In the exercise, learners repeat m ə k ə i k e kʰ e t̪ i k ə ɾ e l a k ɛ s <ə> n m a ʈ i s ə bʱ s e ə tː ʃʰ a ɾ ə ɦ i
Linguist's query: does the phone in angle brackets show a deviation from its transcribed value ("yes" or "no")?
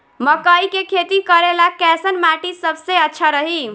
no